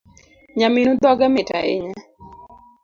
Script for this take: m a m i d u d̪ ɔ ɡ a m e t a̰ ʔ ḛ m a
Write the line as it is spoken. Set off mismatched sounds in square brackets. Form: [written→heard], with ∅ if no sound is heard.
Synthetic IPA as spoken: [m→ɲ] a m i [d→n] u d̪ ɔ ɡ a m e t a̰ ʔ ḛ [m→ɲ] a